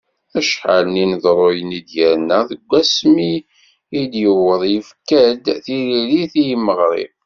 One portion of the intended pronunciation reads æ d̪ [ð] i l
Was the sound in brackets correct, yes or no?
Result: no